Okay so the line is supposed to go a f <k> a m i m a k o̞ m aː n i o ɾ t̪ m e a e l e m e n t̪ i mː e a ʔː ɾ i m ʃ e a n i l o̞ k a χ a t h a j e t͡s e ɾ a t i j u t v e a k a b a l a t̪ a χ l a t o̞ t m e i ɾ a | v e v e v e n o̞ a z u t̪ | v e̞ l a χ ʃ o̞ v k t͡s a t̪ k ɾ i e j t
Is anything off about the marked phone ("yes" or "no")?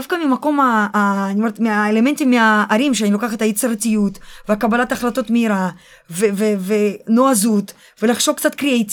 no